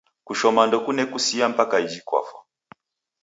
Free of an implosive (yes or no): yes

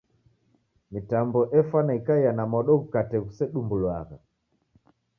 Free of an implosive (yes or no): no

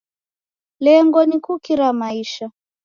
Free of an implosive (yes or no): yes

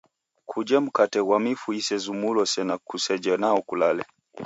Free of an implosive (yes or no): yes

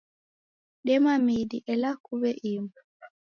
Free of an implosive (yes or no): no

